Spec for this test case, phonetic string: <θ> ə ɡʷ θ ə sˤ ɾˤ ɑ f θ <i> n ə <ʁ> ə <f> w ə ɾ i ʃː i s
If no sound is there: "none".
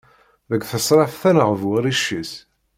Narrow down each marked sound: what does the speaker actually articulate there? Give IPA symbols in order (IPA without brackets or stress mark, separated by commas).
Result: ð, æ, ʁ, v